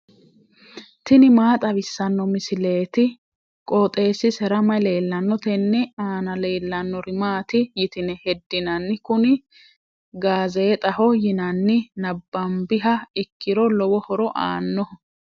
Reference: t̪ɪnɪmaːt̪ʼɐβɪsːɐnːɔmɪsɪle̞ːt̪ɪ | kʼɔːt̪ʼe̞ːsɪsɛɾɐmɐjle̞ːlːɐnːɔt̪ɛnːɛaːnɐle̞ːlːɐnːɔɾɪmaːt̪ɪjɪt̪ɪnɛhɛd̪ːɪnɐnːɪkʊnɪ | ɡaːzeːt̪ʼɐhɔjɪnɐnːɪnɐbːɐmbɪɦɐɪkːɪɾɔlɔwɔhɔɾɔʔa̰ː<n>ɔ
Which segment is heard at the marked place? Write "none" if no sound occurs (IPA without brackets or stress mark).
nː